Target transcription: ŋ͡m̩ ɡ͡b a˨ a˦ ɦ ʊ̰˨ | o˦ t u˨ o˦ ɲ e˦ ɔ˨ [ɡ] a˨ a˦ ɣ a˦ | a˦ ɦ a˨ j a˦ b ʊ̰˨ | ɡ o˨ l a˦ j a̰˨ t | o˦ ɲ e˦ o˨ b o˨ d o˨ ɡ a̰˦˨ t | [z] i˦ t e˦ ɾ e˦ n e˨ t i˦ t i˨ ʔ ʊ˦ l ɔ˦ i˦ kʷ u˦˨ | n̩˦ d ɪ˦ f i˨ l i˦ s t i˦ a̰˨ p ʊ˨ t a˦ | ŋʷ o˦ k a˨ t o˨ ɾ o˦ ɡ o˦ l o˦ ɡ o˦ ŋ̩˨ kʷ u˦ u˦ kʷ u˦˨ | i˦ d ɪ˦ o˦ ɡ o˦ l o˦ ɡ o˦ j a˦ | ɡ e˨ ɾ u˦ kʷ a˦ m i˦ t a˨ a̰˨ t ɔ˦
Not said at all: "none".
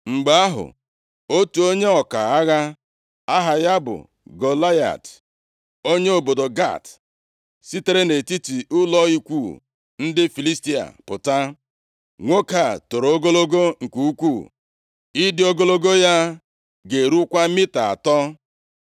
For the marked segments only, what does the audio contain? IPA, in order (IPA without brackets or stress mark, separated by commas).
k, s